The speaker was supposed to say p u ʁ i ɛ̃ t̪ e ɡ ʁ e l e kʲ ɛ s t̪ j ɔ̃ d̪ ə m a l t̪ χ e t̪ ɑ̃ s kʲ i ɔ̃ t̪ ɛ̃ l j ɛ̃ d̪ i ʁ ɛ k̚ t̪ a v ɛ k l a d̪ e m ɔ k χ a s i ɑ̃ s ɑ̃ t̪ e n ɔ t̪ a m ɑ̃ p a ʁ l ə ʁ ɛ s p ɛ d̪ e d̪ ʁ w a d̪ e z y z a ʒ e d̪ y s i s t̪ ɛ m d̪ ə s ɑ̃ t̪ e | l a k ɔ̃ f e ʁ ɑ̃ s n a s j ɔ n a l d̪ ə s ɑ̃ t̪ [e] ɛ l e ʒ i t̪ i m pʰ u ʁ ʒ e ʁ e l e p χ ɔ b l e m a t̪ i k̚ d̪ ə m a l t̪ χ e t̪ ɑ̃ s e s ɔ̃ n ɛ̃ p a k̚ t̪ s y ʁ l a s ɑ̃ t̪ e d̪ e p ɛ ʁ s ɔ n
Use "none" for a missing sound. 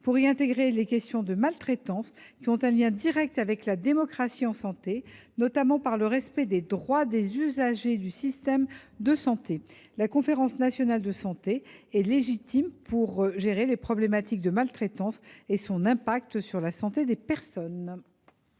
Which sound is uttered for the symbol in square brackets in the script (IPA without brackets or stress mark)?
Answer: e